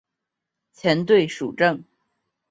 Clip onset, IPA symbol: t͡ɕʰ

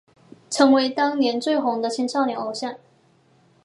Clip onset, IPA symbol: ʈ͡ʂʰ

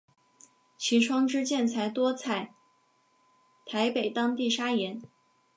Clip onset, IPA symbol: t͡ɕʰ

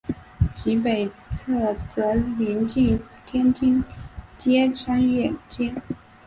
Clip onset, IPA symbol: t͡ɕ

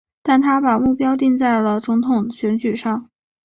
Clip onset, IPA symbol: t̪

